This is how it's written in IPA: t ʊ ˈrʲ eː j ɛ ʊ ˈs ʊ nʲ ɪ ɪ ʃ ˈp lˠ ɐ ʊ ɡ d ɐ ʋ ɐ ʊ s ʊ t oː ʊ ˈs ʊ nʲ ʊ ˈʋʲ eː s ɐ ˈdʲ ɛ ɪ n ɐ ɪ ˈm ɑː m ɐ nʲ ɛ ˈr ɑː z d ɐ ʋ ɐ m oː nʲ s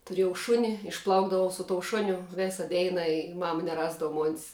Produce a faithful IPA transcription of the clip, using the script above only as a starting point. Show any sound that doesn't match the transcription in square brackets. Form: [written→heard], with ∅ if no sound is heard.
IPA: t ʊ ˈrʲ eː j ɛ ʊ [ˈs→ˈʃ] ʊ nʲ ɪ ɪ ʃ ˈp lˠ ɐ ʊ ɡ d ɐ ʋ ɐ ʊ s ʊ t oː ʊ [ˈs→ˈʃ] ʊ nʲ ʊ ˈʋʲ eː s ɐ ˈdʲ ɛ ɪ n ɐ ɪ ˈm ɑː m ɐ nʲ ɛ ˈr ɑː z d ɐ ʋ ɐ m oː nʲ s